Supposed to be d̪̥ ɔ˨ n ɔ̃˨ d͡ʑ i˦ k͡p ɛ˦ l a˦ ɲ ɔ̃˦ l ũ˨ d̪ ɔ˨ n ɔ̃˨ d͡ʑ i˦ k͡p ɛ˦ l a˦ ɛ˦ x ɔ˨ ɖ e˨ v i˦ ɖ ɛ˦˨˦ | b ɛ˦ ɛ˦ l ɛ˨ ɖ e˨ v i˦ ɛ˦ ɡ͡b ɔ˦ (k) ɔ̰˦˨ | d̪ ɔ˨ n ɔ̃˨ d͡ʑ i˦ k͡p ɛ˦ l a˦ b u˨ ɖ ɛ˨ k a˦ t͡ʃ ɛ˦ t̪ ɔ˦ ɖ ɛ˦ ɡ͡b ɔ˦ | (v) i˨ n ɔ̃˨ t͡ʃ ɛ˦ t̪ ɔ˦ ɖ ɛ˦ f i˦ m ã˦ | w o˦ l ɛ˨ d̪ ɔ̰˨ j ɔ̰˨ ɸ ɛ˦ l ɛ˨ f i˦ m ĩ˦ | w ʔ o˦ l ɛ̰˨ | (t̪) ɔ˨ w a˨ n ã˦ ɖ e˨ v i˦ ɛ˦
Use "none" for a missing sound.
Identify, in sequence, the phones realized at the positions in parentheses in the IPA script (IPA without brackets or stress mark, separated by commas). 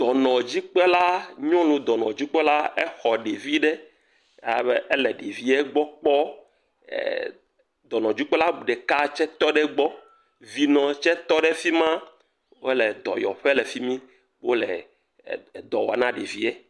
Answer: k͡p, v, d̪